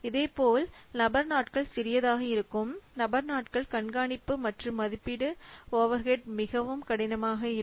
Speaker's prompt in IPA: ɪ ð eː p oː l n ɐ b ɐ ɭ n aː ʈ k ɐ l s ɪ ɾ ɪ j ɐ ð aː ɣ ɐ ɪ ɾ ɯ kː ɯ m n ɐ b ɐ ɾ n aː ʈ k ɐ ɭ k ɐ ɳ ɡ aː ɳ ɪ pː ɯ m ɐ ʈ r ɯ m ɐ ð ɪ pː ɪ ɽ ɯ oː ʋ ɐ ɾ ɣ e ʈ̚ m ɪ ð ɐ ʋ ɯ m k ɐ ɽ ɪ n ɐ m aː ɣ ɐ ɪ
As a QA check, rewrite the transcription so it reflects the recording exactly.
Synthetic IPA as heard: ɪ ð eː p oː l n ɐ b ɐ ɾ n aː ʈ k ɐ ɭ s ɪ ɾ ɪ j ɐ ð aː ɣ ɐ ɪ ɾ ɯ kː ɯ m n ɐ b ɐ ɾ n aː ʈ k ɐ ɭ k ɐ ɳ ɡ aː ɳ ɪ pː ɯ m ɐ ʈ r ɯ m ɐ ð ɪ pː ɪ ɽ ɯ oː ʋ ɐ ɾ ɣ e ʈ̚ m ɪ ɣ ɐ ʋ ɯ m k ɐ ɽ ɪ n ɐ m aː ɣ ɐ ɪ